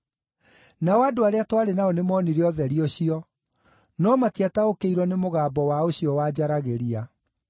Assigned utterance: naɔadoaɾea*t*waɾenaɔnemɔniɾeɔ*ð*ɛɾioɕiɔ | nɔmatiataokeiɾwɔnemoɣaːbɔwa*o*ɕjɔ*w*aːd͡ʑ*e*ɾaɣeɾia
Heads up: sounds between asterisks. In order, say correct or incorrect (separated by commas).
correct, correct, correct, correct, incorrect